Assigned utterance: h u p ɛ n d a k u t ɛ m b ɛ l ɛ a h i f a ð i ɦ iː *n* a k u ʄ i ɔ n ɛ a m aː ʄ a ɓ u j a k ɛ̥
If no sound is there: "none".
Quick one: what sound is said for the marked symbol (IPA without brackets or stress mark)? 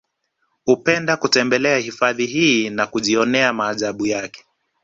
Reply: n